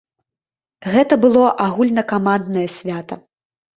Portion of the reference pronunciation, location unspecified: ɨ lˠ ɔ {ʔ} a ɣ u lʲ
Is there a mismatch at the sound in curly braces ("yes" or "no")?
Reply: no